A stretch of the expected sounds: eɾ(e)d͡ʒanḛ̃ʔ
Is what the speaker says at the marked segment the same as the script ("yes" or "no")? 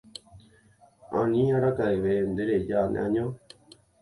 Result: yes